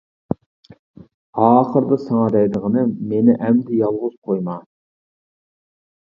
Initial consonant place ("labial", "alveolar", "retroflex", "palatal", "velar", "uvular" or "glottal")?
uvular